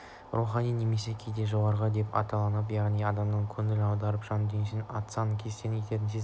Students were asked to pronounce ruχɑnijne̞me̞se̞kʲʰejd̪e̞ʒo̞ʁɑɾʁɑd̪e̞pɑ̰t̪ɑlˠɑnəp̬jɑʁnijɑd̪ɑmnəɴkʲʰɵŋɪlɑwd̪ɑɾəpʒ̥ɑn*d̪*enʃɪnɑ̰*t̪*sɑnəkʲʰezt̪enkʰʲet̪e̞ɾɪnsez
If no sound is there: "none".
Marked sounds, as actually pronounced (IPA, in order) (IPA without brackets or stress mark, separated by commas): d̪, t̪